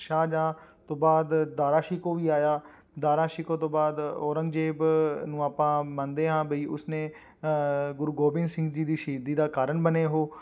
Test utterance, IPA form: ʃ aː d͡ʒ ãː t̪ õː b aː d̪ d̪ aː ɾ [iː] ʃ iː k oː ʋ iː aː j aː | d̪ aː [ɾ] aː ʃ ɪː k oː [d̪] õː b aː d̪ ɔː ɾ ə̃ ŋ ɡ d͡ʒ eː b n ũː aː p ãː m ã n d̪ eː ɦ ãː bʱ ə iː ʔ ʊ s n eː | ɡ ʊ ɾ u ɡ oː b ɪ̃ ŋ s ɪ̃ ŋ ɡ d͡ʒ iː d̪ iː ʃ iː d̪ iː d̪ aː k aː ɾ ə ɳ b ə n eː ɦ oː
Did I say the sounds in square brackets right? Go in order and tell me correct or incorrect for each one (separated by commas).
incorrect, correct, incorrect